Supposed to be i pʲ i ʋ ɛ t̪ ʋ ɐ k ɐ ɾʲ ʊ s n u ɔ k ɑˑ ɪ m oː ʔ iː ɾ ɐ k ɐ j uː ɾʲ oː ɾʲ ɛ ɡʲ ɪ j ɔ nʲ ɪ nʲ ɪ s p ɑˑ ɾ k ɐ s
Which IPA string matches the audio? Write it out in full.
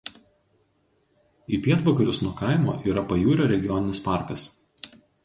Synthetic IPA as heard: i pʲ i ɛ t̪ ʋ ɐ k ɐ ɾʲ ʊ s n u ɔ k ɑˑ ɪ m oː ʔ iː ɾ ɐ p ɐ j uː ɾʲ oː ɾʲ ɛ ɡʲ ɪ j ɔ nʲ ɪ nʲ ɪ s p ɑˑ ɾ k ɐ s